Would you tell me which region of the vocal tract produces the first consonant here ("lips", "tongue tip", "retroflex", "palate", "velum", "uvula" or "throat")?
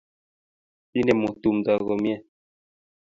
tongue tip